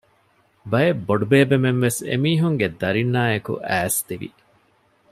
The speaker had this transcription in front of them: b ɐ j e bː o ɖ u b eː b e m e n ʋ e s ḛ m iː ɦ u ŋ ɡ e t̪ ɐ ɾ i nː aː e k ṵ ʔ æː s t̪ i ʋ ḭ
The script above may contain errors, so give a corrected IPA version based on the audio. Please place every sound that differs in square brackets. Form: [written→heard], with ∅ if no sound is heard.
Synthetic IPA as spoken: b ɐ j e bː o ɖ u b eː b e m e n ʋ e s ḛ m iː ɦ u ŋ ɡ e [t̪→d̪] ɐ ɾ i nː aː e k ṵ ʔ æː s t̪ i ʋ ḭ